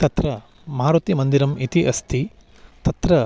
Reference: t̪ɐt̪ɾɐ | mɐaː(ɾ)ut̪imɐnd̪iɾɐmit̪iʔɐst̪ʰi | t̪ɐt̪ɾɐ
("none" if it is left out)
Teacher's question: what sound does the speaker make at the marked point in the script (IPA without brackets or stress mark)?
ɾ